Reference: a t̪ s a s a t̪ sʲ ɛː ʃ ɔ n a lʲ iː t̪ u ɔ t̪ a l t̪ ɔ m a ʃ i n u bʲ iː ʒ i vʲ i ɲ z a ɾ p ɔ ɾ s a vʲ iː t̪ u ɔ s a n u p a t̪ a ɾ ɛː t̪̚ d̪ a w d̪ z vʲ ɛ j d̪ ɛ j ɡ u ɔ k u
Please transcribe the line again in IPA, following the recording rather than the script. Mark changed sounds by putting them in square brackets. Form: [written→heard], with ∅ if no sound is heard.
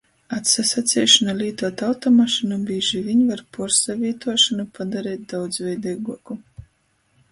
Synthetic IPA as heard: a t̪ s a s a t̪ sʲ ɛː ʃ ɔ n a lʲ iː t̪ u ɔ t̪ a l t̪ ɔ m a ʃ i n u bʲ iː ʒ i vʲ i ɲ [z→v] a ɾ p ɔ ɾ s a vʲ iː t̪ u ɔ [s→ʃ] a n u p a [t̪→d̪] a ɾ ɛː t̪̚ d̪ a w d̪ z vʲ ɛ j d̪ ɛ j ɡ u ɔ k u